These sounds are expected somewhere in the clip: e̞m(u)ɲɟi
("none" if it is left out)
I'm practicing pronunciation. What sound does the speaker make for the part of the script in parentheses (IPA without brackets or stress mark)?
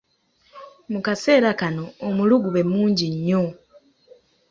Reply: uː